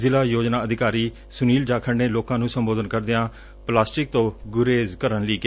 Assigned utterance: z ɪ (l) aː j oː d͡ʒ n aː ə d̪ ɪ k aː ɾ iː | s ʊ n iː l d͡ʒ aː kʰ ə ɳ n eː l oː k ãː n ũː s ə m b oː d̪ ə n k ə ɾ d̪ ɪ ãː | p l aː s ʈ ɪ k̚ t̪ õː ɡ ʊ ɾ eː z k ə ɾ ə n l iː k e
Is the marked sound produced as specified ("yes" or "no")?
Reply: yes